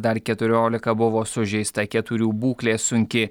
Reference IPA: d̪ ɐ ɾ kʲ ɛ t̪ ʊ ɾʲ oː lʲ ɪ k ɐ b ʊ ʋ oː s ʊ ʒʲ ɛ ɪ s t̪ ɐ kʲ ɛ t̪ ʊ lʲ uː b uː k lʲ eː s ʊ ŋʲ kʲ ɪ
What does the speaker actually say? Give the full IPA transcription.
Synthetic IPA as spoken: d̪ ɐ ɾ kʲ ɛ t̪ ʊ ɾʲ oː lʲ ɪ k ɐ b ʊ ʋ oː s ʊ ʒʲ ɛ ɪ s t̪ ɐ kʲ ɛ t̪ ʊ ɾʲ uː b uː k lʲ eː s ʊ ŋʲ kʲ ɪ